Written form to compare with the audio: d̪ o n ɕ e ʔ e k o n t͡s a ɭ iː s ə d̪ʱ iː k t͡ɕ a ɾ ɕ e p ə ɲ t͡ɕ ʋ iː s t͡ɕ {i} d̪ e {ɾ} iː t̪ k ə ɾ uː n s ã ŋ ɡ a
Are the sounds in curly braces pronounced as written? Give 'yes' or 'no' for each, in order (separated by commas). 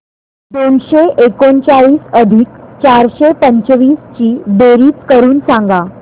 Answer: no, yes